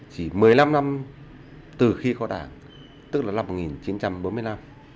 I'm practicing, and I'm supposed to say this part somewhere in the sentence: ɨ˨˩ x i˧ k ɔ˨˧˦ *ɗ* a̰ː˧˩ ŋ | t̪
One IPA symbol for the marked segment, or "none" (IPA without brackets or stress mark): ɗ